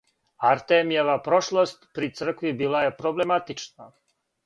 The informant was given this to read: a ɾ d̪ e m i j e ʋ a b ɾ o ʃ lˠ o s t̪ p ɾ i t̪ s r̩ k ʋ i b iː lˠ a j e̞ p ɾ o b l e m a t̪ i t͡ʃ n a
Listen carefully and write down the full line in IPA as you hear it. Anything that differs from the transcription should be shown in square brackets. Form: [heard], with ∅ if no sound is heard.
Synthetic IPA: a ɾ [t̪] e m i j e ʋ a [p] ɾ o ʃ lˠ o s t̪ p ɾ i t̪ s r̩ k ʋ i b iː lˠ a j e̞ p ɾ o b l e m a t̪ i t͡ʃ n a